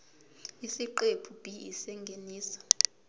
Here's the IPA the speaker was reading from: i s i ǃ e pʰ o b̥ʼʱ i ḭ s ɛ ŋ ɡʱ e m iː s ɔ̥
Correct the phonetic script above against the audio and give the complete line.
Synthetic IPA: i s i ǃ e pʰ u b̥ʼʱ i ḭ s ɛ ŋ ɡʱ e n iː s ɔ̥